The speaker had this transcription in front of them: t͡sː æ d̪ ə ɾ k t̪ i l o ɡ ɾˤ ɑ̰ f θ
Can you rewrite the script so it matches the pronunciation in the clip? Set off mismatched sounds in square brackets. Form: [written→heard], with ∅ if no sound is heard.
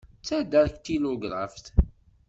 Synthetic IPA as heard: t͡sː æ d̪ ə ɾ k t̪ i l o ɡ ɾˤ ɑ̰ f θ